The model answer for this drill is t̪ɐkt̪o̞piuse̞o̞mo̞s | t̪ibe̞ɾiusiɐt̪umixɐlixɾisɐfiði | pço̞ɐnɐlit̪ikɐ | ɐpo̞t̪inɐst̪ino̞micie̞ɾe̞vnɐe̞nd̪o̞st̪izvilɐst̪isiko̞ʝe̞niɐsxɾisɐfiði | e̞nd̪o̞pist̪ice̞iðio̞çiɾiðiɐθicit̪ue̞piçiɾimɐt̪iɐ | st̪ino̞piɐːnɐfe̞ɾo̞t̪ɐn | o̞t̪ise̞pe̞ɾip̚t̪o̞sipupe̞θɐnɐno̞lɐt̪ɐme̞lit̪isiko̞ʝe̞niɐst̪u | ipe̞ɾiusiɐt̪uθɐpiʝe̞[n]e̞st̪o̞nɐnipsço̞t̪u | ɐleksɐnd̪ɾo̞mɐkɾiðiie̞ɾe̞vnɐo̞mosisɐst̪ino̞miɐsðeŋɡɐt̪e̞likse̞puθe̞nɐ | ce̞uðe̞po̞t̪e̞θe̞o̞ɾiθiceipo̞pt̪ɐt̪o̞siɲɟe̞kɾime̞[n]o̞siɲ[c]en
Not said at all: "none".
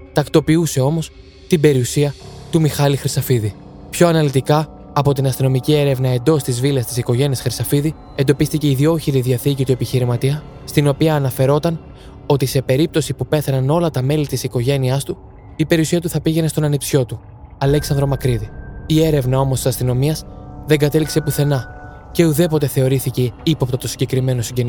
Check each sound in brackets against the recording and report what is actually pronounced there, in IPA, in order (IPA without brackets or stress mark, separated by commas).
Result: n, n, ɟ